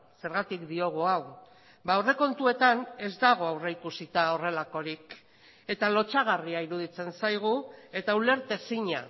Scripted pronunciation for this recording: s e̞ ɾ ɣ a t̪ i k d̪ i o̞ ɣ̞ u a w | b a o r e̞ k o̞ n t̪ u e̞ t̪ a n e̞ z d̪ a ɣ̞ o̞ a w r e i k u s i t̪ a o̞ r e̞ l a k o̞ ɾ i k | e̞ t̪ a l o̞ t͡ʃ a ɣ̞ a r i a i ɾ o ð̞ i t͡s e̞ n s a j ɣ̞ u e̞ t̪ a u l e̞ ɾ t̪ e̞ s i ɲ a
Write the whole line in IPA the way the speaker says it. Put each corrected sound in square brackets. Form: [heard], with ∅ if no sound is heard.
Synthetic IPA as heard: s e̞ ɾ ɣ a t̪ i k d̪ i o̞ ɣ̞ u a w | b a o r e̞ k o̞ n t̪ u e̞ t̪ a n e̞ z d̪ a ɣ̞ o̞ a w r e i k u s i t̪ a o̞ r e̞ l a k o̞ ɾ i k | e̞ t̪ a l o̞ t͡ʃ a ɣ̞ a r i a i ɾ [u] ð̞ i t͡s e̞ n s a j ɣ̞ u e̞ t̪ a u l e̞ ɾ t̪ e̞ s i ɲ a

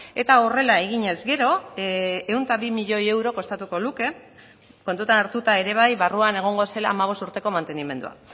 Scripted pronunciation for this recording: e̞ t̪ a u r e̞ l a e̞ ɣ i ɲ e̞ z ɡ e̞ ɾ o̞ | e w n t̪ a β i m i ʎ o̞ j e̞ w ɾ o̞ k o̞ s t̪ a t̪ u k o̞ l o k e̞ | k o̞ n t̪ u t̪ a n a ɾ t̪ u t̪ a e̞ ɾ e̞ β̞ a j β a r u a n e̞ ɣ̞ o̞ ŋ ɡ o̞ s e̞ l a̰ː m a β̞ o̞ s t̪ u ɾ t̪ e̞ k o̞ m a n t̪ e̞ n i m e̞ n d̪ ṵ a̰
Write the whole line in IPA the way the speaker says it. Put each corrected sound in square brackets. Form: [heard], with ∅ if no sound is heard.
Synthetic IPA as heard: e̞ t̪ a [o] r e̞ l a e̞ ɣ i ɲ e̞ z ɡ e̞ ɾ o̞ | e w n t̪ a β i m i ʎ o̞ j e̞ w ɾ o̞ k o̞ s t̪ a t̪ u k o̞ l [u] k e̞ | k o̞ n t̪ u t̪ a n a ɾ t̪ u t̪ a e̞ ɾ e̞ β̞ a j β a r u a n e̞ ɣ̞ o̞ ŋ ɡ o̞ s e̞ l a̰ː m a β̞ o̞ s t̪ u ɾ t̪ e̞ k o̞ m a n t̪ e̞ n i m e̞ n d̪ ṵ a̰

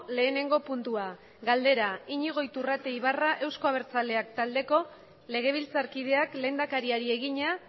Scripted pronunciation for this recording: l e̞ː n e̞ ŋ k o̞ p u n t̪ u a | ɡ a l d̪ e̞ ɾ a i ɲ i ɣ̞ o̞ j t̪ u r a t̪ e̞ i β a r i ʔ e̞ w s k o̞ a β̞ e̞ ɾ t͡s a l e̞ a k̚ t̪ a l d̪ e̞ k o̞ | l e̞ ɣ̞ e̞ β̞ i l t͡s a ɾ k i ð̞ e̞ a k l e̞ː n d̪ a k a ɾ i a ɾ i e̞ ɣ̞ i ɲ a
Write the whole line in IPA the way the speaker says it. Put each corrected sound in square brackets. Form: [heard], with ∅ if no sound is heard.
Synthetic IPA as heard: l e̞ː n e̞ ŋ [ɡ] o̞ p u n t̪ u a | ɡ a l d̪ e̞ ɾ a i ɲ i ɣ̞ o̞ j t̪ u r a t̪ e̞ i β a r [a] ʔ e̞ w s k o̞ a β̞ e̞ ɾ t͡s a l e̞ a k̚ t̪ a l d̪ e̞ k o̞ | l e̞ ɣ̞ e̞ β̞ i l t͡s a ɾ k i ð̞ e̞ a k l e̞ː n d̪ a k a ɾ i a ɾ i e̞ ɣ̞ i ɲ a

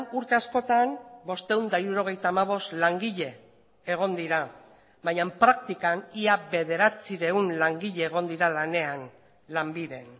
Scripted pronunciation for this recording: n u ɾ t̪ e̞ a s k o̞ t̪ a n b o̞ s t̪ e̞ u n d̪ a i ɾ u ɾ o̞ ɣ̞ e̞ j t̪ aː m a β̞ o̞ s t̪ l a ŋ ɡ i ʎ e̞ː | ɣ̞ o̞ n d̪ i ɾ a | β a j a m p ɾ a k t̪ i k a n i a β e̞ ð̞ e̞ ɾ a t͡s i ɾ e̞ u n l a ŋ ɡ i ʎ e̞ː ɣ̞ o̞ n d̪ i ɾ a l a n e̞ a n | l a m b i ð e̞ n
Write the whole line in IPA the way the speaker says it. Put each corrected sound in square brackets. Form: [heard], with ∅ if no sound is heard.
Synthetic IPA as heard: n u ɾ t̪ e̞ a s k o̞ t̪ a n b o̞ s t̪ e̞ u n d̪ a i ɾ u ɾ o̞ ɣ̞ e̞ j t̪ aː m a β̞ o̞ s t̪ l a ŋ ɡ i ʎ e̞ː | ɣ̞ o̞ n d̪ i ɾ a | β a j a m p ɾ a k t̪ i k a n i a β e̞ ð̞ e̞ ɾ a t͡s i ɾ e̞ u n l a ŋ ɡ i ʎ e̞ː ɣ̞ o̞ n d̪ i ɾ a l a n e̞ a n | l a m b i ð e̞ n

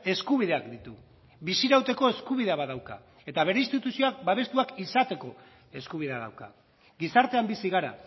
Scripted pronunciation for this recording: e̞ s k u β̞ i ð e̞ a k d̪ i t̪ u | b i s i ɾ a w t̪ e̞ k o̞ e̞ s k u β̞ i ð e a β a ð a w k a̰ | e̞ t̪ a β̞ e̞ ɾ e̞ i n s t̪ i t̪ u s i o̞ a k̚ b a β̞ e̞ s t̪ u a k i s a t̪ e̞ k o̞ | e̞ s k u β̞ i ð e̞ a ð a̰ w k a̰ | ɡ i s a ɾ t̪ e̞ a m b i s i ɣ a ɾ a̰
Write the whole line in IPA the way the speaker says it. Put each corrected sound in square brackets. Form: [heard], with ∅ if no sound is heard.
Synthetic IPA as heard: e̞ s k u β̞ i ð e̞ a k d̪ i t̪ u | b i s i ɾ a w t̪ e̞ k o̞ e̞ s k u β̞ i ð e a β a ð a w k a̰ | e̞ t̪ a β̞ e̞ ɾ e̞ i n s t̪ i t̪ u s i o̞ a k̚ b a β̞ e̞ s t̪ u a k i s a t̪ e̞ k o̞ | e̞ s k u β̞ i ð e̞ a ð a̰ w k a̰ | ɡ i s a ɾ t̪ e̞ a m b i s i ɣ a ɾ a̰

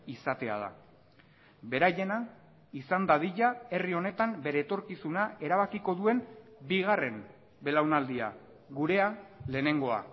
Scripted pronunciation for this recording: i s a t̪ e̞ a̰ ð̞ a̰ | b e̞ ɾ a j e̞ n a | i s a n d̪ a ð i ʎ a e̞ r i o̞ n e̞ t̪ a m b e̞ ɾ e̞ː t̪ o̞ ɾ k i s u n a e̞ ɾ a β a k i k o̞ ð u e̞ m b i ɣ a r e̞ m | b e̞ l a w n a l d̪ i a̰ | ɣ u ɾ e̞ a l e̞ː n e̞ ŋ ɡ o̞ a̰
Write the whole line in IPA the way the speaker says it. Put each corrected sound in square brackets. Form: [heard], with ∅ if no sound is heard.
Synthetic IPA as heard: i s a t̪ e̞ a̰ ð̞ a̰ | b e̞ ɾ a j e̞ n a | i s a n d̪ a ð i ʎ a e̞ r i o̞ n e̞ t̪ a m b e̞ ɾ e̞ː t̪ o̞ ɾ k i s u n a e̞ ɾ a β a k i k o̞ ð u e̞ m b i ɣ a r e̞ m | b e̞ l a w n a l d̪ i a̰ | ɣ u ɾ e̞ a l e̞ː n e̞ ŋ ɡ o̞ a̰

